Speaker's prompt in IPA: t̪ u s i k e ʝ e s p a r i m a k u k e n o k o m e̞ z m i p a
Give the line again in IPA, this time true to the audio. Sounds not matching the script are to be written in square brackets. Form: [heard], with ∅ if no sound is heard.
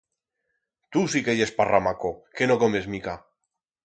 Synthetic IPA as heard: t̪ u s i k e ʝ e s p a r [a] m a k [o] k e n o k o m e̞ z m i [k] a